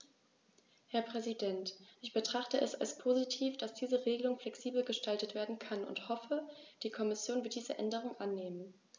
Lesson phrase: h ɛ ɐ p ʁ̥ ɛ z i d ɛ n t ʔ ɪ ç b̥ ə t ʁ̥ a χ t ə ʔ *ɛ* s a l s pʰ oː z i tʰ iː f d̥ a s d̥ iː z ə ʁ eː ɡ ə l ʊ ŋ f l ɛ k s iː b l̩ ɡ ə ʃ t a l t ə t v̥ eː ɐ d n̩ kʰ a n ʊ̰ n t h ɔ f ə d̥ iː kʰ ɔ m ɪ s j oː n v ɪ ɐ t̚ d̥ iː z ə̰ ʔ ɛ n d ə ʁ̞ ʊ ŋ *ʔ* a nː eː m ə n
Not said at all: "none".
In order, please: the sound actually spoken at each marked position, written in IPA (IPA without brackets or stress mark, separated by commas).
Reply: ɛ, ʔ